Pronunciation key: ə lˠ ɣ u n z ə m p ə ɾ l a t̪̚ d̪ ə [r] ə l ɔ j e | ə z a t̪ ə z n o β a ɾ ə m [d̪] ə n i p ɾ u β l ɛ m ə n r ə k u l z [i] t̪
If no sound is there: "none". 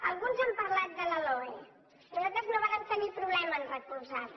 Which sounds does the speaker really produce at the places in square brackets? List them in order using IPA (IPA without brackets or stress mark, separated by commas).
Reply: l, t̪, a